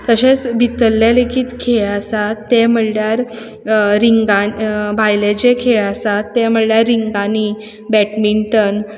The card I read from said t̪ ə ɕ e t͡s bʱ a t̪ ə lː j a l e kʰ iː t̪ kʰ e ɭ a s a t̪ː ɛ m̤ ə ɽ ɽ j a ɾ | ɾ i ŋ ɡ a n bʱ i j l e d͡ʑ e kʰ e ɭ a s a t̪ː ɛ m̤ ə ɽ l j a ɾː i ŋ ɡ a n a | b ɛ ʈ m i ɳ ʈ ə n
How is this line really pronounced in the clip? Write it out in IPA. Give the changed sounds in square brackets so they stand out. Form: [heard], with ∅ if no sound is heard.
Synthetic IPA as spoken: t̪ ə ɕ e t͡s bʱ [i] t̪ ə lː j a l e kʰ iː t̪ kʰ e ɭ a s a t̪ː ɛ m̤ ə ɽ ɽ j a ɾ | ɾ i ŋ ɡ a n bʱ [a] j l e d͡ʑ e kʰ e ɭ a s a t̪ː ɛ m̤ ə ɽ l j a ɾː i ŋ ɡ a n [i] | b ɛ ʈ m i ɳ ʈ ə n